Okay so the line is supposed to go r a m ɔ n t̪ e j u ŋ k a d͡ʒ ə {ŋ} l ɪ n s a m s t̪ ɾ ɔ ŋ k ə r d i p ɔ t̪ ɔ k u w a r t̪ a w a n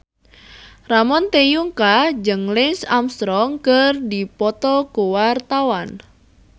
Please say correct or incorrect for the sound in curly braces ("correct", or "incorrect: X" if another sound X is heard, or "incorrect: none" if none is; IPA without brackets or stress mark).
correct